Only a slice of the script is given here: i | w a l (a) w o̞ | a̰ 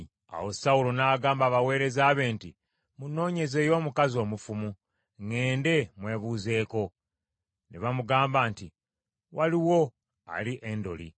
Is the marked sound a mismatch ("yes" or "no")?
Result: yes